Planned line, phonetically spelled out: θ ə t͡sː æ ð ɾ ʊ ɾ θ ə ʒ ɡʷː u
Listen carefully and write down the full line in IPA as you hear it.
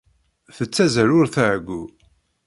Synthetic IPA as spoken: θ ə t͡sː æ z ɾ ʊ ɾ θ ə ʕ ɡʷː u

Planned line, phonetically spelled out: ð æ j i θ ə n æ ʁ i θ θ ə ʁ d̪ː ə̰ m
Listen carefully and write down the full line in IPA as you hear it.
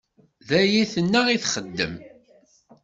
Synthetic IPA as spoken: ð æ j i θ ə nː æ ʁ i θ χ ə d̪ː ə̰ m

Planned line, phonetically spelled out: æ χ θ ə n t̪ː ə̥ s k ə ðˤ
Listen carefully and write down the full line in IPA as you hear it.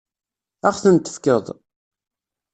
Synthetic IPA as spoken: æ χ θ ə n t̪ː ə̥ f k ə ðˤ

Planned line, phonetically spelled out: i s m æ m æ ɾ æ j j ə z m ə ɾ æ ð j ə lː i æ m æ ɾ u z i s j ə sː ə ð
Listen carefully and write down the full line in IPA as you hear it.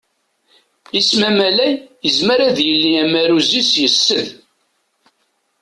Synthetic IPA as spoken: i s m æ m æ l æ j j ə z m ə ɾ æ ð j ə lː i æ m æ ɾ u z i s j ə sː ə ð

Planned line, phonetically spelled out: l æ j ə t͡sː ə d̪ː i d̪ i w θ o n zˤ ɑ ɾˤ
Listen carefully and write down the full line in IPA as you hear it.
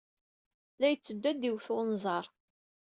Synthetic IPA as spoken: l æ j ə t͡sː ə d̪ː æ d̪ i w θ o n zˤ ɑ ɾˤ

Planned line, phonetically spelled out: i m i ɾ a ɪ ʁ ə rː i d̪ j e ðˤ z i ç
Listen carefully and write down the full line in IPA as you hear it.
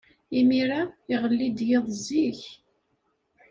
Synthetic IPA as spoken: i m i ɾ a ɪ ʁ ə lː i d̪ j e ðˤ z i ç

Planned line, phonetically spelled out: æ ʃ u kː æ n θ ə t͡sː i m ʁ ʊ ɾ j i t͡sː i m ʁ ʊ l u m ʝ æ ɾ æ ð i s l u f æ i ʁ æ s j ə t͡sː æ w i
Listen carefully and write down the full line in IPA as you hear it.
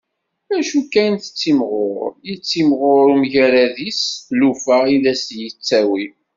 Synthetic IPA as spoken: æ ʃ u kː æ n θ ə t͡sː i m ʁ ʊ ɾ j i t͡sː i m ʁ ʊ ɾ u m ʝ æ ɾ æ ð i s l u f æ i ð æ s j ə t͡sː æ w i

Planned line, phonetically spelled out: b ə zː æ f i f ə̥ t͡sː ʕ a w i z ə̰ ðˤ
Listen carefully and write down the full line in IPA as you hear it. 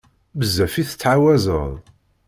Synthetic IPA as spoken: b ə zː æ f i θ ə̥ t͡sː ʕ a w æ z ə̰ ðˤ

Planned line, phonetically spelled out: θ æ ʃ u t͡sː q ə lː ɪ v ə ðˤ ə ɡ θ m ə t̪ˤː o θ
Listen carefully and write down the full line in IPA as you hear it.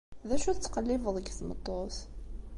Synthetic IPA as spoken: ð æ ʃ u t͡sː q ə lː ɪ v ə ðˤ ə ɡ θ m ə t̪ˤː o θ

